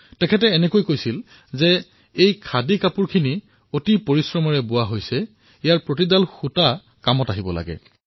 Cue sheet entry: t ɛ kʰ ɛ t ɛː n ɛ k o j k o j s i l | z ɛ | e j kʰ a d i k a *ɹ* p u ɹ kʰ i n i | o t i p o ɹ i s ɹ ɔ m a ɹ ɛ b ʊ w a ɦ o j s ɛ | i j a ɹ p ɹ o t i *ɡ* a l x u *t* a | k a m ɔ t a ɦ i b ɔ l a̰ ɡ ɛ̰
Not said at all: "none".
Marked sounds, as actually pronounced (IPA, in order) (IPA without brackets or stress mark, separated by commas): none, d, t